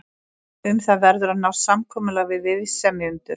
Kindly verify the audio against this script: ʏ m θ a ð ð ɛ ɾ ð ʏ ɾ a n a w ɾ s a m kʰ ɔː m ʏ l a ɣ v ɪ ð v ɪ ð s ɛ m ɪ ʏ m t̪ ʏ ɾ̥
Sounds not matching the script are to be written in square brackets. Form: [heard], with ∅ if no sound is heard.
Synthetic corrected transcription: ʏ m θ a ð [v] ɛ ɾ ð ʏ ɾ a n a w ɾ s a m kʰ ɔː m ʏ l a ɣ v ɪ ð v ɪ ð s ɛ m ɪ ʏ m t̪ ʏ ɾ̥